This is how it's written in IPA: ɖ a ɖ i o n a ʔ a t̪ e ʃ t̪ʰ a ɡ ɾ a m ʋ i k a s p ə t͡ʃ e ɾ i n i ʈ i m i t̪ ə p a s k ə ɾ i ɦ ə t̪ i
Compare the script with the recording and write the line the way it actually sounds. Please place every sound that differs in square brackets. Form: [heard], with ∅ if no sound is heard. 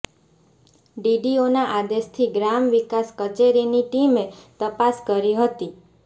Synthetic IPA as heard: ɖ [i] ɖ i o n a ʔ a [d̪] e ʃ t̪ʰ [i] ɡ ɾ a m ʋ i k a s [k] ə t͡ʃ e ɾ i n i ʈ i m [e] t̪ ə p a s k ə ɾ i ɦ ə t̪ i

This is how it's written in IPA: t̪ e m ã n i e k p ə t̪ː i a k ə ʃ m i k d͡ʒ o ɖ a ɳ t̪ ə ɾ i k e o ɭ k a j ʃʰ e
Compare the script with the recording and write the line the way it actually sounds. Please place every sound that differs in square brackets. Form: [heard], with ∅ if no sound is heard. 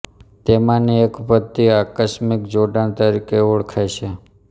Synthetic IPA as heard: t̪ e m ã n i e k p ə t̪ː i a k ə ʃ m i k d͡ʒ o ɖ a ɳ t̪ ə ɾ i k e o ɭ [kʰ] a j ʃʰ e

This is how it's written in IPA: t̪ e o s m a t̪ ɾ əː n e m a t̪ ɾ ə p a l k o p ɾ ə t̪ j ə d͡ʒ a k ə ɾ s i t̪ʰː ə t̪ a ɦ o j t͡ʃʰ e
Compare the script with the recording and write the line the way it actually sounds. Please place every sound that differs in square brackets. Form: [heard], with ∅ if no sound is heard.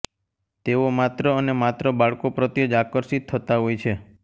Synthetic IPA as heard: t̪ e o [∅] m a t̪ ɾ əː n e m a t̪ ɾ ə [b] a [ɭ] k o p ɾ ə t̪ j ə d͡ʒ a k ə ɾ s i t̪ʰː ə t̪ a ɦ o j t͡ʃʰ e

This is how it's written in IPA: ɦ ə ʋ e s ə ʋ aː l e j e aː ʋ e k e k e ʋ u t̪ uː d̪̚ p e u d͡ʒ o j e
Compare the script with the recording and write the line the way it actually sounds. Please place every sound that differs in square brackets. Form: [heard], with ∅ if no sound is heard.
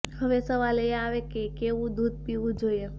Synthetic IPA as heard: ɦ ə ʋ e s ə ʋ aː l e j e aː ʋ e k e k e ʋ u [d̪] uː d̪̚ p [i] u d͡ʒ o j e

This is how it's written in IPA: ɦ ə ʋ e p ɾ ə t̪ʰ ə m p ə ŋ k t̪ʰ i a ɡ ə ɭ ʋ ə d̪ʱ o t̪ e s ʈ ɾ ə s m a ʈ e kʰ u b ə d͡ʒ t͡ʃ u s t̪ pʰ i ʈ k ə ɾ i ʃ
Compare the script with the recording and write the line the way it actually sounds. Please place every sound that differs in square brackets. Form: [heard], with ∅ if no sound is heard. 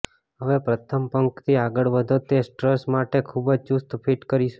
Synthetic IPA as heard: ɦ ə ʋ e p ɾ ə t̪ʰ ə m p ə ŋ k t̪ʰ i a ɡ ə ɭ ʋ ə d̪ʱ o t̪ e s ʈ ɾ ə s m a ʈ e kʰ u b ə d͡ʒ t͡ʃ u s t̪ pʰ i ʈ k ə ɾ i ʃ

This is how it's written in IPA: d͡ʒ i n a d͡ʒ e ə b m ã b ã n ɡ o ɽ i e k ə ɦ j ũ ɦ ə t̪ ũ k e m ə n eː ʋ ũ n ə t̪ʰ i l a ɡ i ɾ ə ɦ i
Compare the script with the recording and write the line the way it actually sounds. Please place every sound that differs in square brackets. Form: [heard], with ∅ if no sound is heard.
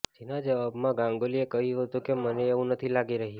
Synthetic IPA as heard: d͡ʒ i n a d͡ʒ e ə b m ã [ɡ] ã [ŋ] ɡ o [l] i e k ə ɦ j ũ ɦ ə t̪ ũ k e m ə n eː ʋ ũ n ə t̪ʰ i l a ɡ i ɾ ə ɦ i

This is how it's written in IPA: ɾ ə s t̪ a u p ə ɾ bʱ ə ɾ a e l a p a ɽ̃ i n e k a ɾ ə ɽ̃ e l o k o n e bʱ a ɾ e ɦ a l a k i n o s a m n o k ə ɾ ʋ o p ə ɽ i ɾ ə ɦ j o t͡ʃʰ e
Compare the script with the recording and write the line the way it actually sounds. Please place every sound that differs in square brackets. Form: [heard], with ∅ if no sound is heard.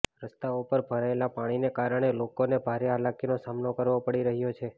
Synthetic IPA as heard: ɾ ə s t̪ a u p ə ɾ bʱ ə ɾ a e l a p a ɽ̃ i n e k a ɾ ə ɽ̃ e l o k o n e bʱ a ɾ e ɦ a l a k i n o s a m n o k ə ɾ ʋ o p ə ɽ i ɾ ə ɦ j o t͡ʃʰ e

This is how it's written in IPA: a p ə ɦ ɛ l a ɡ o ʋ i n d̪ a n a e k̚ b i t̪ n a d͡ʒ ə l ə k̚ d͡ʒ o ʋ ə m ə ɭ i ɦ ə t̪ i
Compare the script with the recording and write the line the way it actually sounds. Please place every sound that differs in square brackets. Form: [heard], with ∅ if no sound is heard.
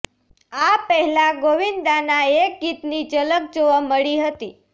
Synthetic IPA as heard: a p ə ɦ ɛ l a ɡ o ʋ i n d̪ a n a e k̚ [ɡ] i t̪ n [i] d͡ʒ ə l ə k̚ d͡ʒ o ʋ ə m ə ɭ i ɦ ə t̪ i

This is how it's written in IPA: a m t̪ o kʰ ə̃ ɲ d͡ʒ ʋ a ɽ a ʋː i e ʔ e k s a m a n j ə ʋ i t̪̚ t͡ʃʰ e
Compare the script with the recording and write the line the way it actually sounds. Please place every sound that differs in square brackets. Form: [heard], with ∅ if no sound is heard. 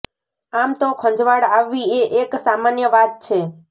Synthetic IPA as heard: a m t̪ o kʰ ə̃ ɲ d͡ʒ ʋ a ɽ a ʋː i e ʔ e k s a m a n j ə ʋ [a] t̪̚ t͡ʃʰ e

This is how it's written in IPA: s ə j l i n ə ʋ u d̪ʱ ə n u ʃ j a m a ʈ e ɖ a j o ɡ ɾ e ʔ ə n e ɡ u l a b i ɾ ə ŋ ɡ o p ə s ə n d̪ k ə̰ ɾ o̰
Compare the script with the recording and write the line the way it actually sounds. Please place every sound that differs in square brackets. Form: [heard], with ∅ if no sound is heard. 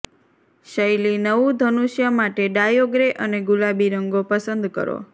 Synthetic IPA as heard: [ʃ] ə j l i n ə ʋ u d̪ʱ ə n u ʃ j a m a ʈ e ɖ a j o ɡ ɾ e ʔ ə n e ɡ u l a b i ɾ ə ŋ ɡ o p ə s ə n d̪ k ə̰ ɾ o̰

